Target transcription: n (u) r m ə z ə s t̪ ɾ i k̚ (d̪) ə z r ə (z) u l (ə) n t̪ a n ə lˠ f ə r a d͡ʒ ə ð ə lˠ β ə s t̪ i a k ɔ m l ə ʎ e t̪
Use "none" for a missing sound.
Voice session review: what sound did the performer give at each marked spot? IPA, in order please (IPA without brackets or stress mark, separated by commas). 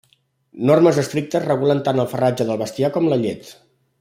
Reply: o, t̪, ɣ, ə